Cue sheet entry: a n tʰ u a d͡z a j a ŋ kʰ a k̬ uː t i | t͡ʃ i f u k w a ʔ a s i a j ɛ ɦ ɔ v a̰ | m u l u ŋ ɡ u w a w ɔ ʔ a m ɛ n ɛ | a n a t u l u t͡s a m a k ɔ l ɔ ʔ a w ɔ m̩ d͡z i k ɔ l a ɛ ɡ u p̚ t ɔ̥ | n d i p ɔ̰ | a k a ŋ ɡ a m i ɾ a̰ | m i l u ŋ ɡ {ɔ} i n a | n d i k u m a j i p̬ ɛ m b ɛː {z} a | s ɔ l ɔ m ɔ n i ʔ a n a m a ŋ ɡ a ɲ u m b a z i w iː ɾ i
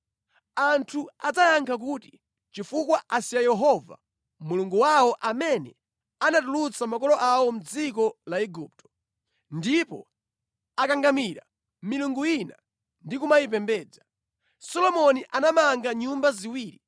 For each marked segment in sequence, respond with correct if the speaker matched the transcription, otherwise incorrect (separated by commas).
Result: incorrect, incorrect